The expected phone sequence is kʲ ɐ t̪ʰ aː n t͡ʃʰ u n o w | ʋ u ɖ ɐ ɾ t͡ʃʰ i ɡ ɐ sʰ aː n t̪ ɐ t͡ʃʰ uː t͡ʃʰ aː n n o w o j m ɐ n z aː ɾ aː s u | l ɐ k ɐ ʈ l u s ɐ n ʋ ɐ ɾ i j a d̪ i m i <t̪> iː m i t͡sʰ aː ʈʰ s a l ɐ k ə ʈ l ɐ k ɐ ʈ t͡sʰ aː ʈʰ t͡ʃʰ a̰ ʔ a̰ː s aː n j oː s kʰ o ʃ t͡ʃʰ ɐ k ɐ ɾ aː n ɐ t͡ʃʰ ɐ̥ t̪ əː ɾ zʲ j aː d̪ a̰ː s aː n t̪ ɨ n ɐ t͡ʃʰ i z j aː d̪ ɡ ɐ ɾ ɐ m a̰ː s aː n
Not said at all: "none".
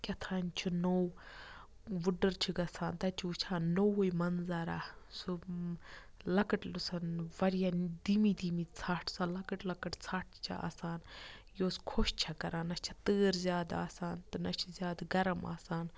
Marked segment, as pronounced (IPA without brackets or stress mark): d̪